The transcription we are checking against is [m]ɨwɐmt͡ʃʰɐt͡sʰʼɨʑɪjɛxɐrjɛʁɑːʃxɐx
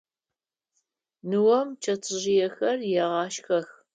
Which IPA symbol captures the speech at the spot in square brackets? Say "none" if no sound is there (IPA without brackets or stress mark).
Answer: n